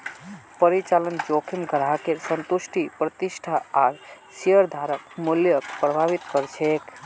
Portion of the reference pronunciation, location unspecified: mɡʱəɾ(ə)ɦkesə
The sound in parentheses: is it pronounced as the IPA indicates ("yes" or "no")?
no